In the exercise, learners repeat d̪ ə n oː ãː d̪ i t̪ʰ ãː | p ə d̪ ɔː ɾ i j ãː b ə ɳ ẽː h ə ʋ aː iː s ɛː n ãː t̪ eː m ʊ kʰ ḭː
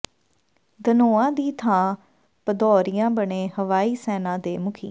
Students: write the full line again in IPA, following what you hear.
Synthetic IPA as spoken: d̪ ə n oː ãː d̪ iː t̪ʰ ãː | p ə d̪ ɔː ɾ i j ãː b ə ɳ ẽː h ə ʋ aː iː s ɛː n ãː d̪ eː m ʊ kʰ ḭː